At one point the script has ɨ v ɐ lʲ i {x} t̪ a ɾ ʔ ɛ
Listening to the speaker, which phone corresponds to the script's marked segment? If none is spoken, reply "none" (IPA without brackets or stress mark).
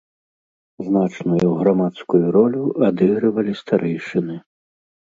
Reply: s